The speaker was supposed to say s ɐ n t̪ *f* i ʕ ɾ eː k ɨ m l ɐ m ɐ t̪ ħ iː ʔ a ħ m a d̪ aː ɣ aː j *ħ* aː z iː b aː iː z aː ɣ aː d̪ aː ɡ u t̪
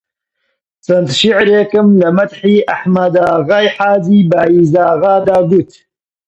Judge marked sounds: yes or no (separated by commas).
no, yes